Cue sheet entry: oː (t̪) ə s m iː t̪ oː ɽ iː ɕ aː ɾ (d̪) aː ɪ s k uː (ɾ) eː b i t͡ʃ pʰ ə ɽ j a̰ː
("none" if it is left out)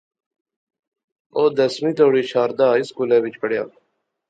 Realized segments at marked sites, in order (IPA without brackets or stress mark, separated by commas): d̪, d̪, l